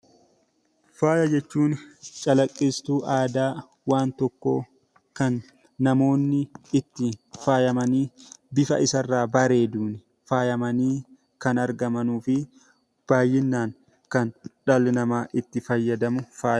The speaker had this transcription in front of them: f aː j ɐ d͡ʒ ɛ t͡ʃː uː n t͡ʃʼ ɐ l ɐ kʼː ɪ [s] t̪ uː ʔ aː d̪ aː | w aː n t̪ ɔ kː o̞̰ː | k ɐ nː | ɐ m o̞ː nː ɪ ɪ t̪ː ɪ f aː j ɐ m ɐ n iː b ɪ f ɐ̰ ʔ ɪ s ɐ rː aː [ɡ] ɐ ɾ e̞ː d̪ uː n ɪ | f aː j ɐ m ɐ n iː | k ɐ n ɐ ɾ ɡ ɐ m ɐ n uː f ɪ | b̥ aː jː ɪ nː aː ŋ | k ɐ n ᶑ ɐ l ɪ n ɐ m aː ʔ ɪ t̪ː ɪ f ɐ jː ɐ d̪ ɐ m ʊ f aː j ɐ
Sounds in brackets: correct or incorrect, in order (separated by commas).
correct, incorrect